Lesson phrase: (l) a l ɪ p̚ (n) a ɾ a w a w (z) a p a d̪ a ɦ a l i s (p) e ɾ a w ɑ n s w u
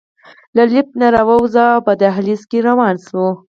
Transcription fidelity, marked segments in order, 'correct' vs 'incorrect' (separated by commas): correct, correct, correct, incorrect